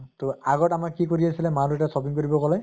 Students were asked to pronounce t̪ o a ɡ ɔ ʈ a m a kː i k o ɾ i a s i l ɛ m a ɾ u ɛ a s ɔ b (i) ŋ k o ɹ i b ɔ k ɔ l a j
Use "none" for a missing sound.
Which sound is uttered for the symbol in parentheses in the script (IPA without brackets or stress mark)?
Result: i